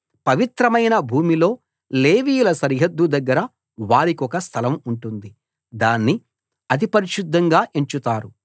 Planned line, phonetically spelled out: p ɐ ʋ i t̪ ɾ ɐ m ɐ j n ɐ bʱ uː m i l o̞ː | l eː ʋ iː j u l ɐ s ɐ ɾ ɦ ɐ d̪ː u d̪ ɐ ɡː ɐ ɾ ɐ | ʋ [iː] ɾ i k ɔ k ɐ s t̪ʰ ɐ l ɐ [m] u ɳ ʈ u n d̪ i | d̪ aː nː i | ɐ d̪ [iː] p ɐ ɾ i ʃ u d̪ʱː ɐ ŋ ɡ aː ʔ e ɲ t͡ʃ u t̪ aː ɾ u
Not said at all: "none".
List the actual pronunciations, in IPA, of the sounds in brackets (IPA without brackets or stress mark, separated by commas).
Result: aː, m, i